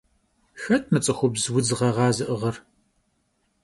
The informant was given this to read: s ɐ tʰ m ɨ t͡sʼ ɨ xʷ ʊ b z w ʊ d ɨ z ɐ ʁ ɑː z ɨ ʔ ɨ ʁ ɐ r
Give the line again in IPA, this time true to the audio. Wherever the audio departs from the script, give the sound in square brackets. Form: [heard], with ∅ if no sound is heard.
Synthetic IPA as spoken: [x] ɐ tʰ m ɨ t͡sʼ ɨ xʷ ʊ b z w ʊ [d͡z] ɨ [ʁ] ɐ ʁ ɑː z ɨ ʔ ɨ ʁ ɐ r